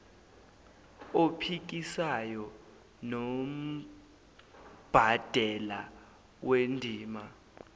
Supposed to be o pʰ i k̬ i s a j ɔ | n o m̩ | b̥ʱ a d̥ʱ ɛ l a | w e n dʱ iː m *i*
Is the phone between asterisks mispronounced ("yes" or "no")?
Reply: yes